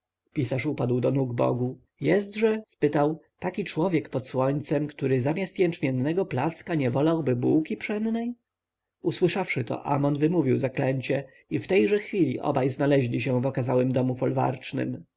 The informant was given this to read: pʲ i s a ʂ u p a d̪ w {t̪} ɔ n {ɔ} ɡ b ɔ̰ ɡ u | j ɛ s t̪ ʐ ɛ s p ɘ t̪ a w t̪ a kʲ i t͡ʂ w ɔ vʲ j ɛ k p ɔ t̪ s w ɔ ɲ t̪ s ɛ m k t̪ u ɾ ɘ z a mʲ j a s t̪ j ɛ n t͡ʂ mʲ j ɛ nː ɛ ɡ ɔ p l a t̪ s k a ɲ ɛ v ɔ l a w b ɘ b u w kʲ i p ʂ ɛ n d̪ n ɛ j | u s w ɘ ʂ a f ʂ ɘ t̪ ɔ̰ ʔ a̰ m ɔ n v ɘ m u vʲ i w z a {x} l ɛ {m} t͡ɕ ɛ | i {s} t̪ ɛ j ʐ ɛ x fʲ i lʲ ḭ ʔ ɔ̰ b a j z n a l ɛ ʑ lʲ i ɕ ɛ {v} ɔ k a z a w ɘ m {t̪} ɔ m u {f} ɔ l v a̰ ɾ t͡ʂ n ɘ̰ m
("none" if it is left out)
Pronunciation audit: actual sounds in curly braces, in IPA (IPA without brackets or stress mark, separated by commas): d̪, u, k, ɲ, f, v, d̪, f